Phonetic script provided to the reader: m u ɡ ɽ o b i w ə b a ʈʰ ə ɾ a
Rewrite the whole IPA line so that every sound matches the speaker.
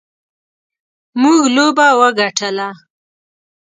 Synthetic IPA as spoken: m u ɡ l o b a w ə ɡ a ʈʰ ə l a

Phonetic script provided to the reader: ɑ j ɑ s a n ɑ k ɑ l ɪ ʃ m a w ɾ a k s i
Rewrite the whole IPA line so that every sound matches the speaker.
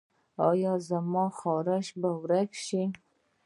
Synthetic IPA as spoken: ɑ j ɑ z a m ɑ x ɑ ɾ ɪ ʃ b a w ɾ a k ʃ i

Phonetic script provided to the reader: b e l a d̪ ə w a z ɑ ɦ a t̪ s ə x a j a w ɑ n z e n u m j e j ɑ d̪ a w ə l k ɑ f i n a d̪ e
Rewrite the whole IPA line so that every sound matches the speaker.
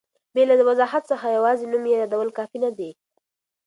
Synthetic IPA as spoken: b e l a d̪ ə w a z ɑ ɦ a t̪ s ə x a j a w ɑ z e n u m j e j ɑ d̪ a w ə l k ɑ f i n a d̪ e

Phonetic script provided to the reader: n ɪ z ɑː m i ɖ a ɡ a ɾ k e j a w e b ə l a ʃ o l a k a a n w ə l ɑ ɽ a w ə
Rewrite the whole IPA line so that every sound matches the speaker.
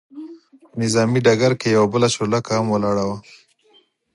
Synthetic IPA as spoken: n ɪ z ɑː m i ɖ a ɡ a ɾ k e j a w a b ə l a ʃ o l a k a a m w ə l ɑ ɽ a w a

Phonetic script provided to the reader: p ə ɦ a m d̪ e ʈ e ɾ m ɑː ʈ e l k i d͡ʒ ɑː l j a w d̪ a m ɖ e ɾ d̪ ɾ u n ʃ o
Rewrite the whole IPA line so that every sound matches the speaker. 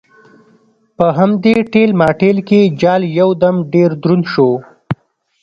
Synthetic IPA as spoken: p ə ɦ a m d̪ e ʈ e l m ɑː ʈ e l k e d͡ʒ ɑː l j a w d̪ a m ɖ e ɾ d̪ ɾ u n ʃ o

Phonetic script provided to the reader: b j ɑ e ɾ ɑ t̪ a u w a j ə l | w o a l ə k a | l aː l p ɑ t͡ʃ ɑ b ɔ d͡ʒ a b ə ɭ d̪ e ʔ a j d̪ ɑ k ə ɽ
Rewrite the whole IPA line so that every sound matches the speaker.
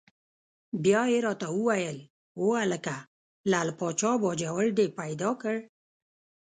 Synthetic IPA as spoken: b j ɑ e ɾ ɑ t̪ a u w a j ə l | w o a l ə k a | l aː l p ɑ t͡ʃ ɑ b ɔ d͡ʒ a w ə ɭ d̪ e p a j d̪ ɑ k ə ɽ

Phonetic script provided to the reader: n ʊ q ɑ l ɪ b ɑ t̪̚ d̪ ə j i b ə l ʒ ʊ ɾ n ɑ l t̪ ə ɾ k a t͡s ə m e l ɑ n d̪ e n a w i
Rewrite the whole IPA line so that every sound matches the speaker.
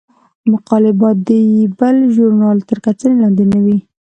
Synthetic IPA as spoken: m ʊ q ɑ l ɪ b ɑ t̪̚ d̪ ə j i b ə l ʒ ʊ ɾ n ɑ l t̪ ə ɾ k a t͡s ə n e l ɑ n d̪ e n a w i

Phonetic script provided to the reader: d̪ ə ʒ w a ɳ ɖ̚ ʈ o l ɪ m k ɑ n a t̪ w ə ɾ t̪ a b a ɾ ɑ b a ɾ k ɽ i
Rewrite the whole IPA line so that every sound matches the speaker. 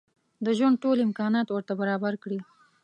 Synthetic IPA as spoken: d̪ ə ʒ w a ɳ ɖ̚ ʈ o l ɪ m k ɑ n ɑ t̪ w ə ɾ t̪ a b a ɾ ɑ b a ɾ k ɽ i

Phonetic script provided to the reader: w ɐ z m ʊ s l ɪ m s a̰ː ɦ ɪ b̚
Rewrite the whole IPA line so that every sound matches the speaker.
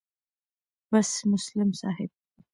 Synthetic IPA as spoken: b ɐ s m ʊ s l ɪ m s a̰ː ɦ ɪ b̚

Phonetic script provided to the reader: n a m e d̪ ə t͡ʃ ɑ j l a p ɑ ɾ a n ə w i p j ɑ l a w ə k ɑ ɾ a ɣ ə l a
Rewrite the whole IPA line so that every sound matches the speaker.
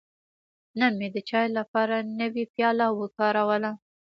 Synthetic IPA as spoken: n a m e d̪ ə t͡ʃ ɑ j l a p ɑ ɾ a n ə w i p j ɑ l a w ə k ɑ ɾ a w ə l a

